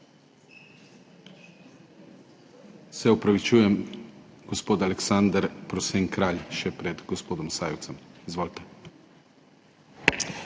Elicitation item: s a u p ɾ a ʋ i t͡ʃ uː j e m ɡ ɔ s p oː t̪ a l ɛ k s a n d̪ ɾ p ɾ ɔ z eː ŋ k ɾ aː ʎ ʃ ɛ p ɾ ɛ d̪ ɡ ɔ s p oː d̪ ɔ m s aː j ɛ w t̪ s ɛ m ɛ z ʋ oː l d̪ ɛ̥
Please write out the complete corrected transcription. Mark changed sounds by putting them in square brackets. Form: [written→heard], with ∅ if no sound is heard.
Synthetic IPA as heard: s [a→ɛ] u p ɾ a ʋ i t͡ʃ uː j [e→ɛ] m ɡ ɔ s p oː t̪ a l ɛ k s a n d̪ ɾ p ɾ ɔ [z→s] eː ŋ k ɾ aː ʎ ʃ ɛ p ɾ ɛ d̪ ɡ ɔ s p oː d̪ ɔ m s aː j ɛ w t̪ s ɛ m [ɛ→i] z ʋ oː l [d̪→t̪] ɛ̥